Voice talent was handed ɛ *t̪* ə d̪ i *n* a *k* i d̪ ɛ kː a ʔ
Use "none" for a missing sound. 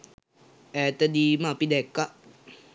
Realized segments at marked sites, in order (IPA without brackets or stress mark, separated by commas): t̪, m, p